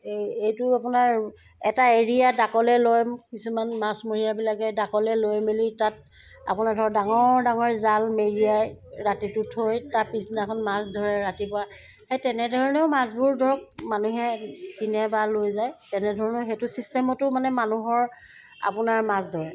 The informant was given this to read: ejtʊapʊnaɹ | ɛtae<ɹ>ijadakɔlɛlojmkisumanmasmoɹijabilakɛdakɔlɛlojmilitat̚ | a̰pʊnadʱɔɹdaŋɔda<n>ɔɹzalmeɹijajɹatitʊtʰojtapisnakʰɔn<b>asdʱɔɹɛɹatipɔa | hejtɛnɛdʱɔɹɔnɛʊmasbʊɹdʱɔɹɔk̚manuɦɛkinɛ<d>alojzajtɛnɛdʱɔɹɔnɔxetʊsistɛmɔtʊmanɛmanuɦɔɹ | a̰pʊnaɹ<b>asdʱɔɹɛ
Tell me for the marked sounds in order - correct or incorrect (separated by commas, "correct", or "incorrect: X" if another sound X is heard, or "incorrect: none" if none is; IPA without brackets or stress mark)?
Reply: correct, incorrect: ŋ, incorrect: m, incorrect: b, incorrect: m